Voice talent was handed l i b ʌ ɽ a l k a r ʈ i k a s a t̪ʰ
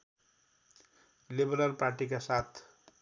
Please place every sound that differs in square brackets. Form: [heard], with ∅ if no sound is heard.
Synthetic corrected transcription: l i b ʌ [ɾ] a l [p] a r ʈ i k a s a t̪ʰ